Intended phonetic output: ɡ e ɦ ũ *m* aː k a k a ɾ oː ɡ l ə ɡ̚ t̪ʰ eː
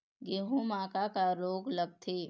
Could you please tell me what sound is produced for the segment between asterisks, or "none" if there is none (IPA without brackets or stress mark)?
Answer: m